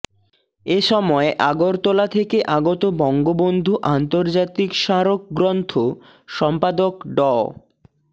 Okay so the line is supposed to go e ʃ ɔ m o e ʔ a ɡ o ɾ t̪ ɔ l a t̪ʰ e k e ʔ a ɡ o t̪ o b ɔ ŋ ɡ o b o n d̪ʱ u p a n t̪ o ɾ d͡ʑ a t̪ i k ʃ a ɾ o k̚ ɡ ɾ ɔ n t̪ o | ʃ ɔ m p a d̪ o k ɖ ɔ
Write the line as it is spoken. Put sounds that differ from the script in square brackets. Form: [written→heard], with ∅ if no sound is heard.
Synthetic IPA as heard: e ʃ ɔ m [o→ɔ] e ʔ a ɡ o ɾ t̪ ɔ l a t̪ʰ e k e ʔ a ɡ o t̪ o b ɔ ŋ ɡ o b o n d̪ʱ u [p→ʔ] a n t̪ o ɾ d͡ʑ a t̪ i k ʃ a ɾ o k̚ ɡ ɾ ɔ n [t̪→t̪ʰ] o | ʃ ɔ m p a d̪ o k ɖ ɔ